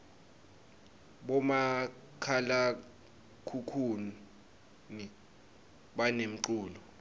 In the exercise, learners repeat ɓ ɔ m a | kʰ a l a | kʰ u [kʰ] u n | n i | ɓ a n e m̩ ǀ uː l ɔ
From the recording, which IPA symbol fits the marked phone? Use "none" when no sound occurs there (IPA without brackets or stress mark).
kʰ